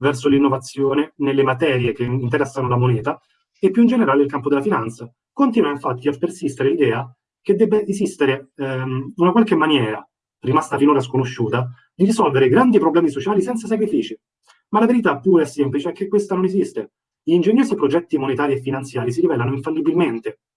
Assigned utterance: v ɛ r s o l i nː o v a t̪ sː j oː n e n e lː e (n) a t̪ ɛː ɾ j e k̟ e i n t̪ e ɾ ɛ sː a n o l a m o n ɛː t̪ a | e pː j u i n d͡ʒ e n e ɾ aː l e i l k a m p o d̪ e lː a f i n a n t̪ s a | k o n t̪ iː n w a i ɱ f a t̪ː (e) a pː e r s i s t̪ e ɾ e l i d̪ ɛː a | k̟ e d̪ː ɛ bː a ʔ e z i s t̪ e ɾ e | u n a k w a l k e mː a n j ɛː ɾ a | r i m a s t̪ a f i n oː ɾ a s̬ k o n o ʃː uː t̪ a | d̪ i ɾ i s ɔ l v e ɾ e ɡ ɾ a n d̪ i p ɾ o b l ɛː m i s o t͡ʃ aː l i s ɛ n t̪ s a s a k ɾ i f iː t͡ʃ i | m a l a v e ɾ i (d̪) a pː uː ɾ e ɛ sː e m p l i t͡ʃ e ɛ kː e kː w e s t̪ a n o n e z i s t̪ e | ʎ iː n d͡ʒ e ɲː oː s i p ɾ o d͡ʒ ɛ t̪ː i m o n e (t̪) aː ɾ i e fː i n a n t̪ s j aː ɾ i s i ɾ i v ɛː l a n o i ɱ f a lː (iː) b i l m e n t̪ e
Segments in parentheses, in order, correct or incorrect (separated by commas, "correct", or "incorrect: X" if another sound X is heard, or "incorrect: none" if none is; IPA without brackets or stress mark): incorrect: m, incorrect: i, incorrect: t̪, correct, incorrect: i